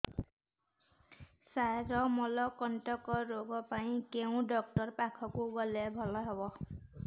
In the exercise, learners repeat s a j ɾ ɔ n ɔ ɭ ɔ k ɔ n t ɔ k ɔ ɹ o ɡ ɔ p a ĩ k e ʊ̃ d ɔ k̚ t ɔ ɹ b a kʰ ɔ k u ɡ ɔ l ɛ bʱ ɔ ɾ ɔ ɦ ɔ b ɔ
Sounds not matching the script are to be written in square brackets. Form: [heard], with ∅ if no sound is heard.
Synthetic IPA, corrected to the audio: s a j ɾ ɔ [m] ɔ [l] ɔ k ɔ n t ɔ k ɔ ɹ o ɡ ɔ p a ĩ k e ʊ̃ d ɔ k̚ t ɔ ɹ [p] a kʰ ɔ k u ɡ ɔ l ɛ bʱ ɔ [l] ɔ ɦ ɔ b ɔ

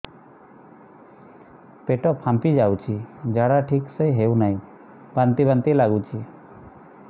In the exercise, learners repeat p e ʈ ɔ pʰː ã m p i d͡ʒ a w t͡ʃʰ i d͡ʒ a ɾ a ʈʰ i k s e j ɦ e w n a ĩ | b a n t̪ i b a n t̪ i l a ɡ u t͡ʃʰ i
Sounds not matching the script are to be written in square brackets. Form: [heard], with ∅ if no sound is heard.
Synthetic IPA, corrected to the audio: p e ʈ ɔ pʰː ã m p i d͡ʒ a w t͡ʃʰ i d͡ʒ a [ɽ] a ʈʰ i k s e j ɦ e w n a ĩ | b a n t̪ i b a n t̪ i l a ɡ u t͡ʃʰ i

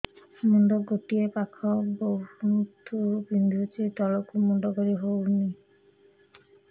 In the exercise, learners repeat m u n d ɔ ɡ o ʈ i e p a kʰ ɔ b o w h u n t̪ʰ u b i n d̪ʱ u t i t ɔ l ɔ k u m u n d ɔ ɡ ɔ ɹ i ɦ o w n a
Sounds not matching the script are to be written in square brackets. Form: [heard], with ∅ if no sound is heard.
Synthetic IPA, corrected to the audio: m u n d ɔ ɡ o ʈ i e p a kʰ ɔ b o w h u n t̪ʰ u b i n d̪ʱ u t i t ɔ l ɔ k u m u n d ɔ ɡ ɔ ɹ i ɦ o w n [i]

